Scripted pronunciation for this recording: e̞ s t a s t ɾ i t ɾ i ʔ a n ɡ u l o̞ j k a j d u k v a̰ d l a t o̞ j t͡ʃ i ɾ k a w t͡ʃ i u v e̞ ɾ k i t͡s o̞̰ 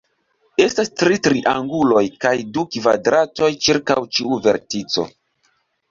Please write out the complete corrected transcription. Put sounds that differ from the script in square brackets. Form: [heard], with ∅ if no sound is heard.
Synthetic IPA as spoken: e̞ s t a s t ɾ i t ɾ i ʔ a [ŋ] ɡ u l o̞ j k a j d u k v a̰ d [ɾ] a t o̞ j t͡ʃ i ɾ k a w t͡ʃ i u v e̞ ɾ [t] i t͡s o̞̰